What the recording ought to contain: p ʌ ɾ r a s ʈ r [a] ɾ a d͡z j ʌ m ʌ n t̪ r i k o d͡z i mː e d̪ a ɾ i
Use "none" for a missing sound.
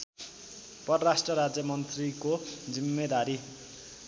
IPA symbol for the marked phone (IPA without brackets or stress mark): ʌ